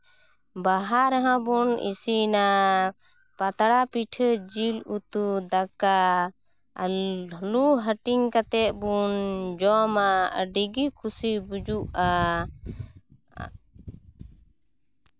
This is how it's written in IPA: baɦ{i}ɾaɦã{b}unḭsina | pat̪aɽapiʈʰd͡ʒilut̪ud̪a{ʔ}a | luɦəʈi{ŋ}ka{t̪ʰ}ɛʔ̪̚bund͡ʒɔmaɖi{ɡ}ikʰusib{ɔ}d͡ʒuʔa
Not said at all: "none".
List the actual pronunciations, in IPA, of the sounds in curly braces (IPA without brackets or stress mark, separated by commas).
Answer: a, b, k, ŋ, t̪, ɡ, u